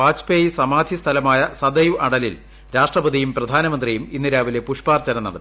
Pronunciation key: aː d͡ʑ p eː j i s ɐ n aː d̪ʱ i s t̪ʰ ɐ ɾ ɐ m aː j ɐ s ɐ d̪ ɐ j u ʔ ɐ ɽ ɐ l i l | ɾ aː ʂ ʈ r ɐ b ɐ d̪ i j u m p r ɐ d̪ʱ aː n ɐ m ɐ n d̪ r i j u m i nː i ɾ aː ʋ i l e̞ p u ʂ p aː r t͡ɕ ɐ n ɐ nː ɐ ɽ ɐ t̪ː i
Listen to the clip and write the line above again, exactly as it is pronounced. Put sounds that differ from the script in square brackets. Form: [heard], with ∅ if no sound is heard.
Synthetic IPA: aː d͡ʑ p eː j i s ɐ [m] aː d̪ʱ i s t̪ʰ ɐ [l] ɐ m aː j ɐ s ɐ d̪ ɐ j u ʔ ɐ ɽ ɐ l i l | ɾ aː ʂ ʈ r ɐ b ɐ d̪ i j u m p r ɐ d̪ʱ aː n ɐ m ɐ n d̪ r i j u m i nː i ɾ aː ʋ i l e̞ p u ʂ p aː r t͡ɕ ɐ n ɐ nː ɐ ɽ ɐ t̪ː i